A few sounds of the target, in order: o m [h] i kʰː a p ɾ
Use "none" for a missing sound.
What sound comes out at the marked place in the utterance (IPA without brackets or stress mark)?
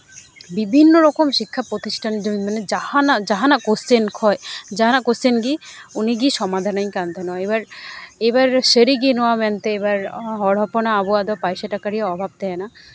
ʃ